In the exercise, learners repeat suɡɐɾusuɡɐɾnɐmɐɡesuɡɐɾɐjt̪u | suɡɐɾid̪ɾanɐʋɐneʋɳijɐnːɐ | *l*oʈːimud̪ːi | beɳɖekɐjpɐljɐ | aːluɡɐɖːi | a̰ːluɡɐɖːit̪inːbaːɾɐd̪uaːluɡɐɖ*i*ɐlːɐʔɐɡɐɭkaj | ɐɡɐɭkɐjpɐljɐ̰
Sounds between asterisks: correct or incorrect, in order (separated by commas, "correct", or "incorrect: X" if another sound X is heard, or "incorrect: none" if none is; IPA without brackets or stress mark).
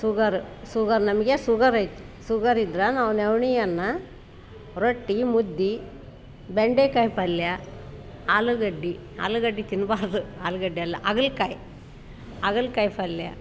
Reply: incorrect: ɾ, correct